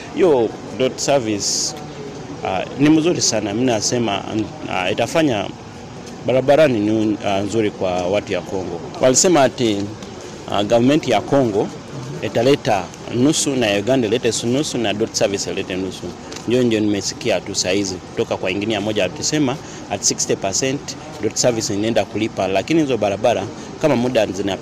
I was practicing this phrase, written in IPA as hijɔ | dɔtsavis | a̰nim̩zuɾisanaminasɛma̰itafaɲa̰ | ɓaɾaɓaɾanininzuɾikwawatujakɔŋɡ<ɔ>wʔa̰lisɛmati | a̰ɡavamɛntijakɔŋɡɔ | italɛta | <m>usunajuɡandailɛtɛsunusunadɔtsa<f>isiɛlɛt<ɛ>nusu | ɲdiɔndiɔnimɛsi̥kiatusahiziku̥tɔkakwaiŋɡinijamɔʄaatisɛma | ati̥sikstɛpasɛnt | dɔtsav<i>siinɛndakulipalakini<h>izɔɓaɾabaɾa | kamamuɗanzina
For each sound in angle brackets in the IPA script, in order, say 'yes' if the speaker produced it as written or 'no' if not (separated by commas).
yes, no, no, yes, yes, yes